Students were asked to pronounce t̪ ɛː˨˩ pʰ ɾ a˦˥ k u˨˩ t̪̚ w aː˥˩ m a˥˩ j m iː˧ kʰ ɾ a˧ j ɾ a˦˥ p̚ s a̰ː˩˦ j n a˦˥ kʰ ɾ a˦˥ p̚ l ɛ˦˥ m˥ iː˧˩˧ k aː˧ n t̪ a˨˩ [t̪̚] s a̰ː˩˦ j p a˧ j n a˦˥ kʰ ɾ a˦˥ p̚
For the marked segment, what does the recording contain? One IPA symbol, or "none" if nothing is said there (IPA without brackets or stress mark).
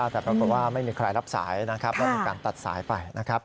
t̪̚